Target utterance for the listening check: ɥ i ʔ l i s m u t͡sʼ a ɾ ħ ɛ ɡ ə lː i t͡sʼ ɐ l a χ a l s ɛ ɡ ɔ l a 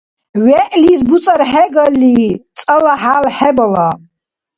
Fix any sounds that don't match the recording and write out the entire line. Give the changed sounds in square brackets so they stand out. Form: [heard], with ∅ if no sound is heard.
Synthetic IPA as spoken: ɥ [ɛ] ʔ l i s [b] u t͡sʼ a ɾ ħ ɛ ɡ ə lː i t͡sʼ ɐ l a [ħ] a l [ħ] ɛ [b] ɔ l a